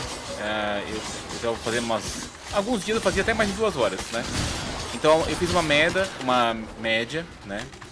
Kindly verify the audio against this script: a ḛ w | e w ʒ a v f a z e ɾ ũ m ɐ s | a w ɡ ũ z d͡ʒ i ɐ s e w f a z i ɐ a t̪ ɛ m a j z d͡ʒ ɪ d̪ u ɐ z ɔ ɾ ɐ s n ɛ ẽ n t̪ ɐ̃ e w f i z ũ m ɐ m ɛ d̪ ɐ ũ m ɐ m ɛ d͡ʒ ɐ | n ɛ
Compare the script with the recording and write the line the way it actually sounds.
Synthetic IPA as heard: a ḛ w | e w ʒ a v f a z e ɾ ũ m ɐ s | a w ɡ ũ z d͡ʒ i ɐ z e w f a z i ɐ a t̪ ɛ m a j z d͡ʒ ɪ d̪ u ɐ z ɔ ɾ ɐ s n ɛ ẽ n t̪ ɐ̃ e w f i z ũ m ɐ m ɛ d̪ ɐ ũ m ɐ m ɛ d͡ʒ ɐ | n ɛ